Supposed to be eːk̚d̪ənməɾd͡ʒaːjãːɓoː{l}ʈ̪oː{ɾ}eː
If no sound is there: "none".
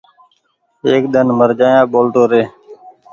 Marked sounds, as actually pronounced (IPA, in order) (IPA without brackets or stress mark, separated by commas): l, ɾ